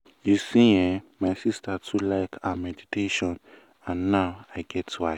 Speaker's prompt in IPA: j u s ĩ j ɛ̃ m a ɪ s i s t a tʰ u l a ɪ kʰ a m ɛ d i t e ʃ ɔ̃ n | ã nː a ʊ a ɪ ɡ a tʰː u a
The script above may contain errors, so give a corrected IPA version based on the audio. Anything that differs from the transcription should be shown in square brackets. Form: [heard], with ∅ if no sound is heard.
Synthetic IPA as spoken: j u s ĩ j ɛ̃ m a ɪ s i s t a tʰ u l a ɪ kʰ a m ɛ d i t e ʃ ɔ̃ n | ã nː a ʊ a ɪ ɡ [ɛ] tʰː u a